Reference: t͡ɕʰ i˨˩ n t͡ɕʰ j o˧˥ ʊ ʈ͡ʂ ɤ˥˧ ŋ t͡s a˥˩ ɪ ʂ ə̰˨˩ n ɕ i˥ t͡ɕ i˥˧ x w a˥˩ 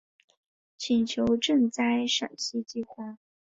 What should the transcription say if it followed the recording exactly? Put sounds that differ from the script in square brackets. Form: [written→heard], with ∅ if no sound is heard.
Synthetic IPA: t͡ɕʰ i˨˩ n t͡ɕʰ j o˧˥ ʊ ʈ͡ʂ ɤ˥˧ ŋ t͡s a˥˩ ɪ ʂ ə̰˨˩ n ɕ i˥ t͡ɕ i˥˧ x w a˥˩